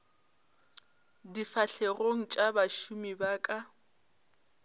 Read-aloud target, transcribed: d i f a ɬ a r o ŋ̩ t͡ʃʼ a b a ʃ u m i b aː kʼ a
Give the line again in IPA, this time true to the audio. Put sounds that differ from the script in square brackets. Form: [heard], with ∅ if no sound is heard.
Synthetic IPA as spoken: d i f a ɬ [e] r o ŋ̩ t͡ʃʼ a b a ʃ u m i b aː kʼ a